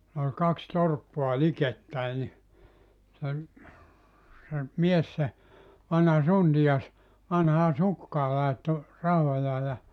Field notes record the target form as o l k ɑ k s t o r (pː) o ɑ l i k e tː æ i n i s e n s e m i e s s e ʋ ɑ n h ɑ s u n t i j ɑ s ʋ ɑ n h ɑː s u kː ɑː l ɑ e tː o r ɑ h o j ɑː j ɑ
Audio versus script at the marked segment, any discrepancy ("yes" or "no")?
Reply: no